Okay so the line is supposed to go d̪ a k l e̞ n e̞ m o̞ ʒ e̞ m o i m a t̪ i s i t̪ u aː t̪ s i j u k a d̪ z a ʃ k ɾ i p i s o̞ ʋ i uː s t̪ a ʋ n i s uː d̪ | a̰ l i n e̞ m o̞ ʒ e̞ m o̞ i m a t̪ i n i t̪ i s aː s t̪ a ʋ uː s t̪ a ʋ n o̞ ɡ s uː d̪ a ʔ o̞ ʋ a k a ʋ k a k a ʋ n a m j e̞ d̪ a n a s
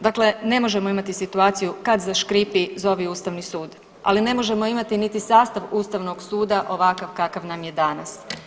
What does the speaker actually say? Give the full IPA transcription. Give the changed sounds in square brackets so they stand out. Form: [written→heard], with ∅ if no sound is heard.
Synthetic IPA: d̪ a k l e̞ n e̞ m o̞ ʒ e̞ m o i m a t̪ i s i t̪ u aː t̪ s i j u k a d̪ z a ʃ k ɾ i p i [s→z] o̞ ʋ i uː s t̪ a ʋ n i s uː d̪ | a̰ l i n e̞ m o̞ ʒ e̞ m o̞ i m a t̪ i n i t̪ i s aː s t̪ a ʋ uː s t̪ a ʋ n o̞ ɡ s uː d̪ a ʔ o̞ ʋ a k a ʋ k a k a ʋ n a m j e̞ d̪ a n a s